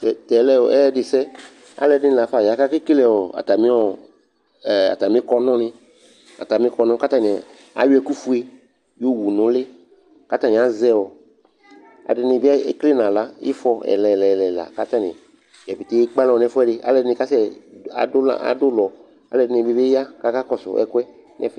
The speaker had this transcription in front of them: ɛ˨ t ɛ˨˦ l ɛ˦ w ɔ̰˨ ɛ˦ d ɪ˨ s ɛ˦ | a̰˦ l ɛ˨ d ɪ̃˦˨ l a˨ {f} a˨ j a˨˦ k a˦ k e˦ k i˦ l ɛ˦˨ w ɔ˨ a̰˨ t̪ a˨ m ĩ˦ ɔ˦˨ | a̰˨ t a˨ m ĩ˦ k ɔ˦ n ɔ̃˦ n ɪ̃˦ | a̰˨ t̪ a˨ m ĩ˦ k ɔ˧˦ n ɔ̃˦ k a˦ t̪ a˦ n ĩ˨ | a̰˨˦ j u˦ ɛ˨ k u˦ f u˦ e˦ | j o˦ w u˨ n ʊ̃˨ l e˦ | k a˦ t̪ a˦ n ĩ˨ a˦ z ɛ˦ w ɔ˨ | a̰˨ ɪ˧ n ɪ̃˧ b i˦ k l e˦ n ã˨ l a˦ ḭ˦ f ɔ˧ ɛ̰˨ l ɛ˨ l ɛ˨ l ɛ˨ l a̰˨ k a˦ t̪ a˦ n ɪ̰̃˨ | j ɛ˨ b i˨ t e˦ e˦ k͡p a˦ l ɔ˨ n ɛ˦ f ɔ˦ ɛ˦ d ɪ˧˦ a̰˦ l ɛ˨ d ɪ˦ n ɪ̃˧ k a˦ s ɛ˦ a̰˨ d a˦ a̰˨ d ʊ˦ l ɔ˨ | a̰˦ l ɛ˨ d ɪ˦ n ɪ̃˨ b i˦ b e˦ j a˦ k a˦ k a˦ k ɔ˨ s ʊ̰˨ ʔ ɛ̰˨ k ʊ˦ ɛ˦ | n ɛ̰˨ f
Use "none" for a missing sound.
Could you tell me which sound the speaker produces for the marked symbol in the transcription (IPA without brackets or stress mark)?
f